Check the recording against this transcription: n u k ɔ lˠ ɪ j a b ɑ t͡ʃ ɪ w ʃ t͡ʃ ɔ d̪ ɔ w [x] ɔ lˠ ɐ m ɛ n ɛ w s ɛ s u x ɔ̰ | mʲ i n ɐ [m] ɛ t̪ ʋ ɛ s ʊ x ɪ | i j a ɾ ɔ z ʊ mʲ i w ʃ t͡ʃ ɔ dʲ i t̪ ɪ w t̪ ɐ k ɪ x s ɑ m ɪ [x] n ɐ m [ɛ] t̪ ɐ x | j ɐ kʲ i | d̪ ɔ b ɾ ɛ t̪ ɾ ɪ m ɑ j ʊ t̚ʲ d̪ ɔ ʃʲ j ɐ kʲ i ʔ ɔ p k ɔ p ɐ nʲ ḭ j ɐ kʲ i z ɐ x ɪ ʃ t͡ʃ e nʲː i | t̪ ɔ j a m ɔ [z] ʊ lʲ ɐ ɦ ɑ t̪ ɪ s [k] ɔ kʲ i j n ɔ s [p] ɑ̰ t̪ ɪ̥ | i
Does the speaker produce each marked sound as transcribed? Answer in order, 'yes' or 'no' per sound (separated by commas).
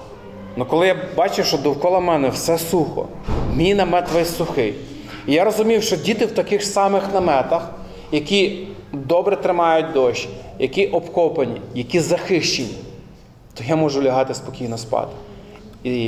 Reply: no, yes, yes, yes, no, no, yes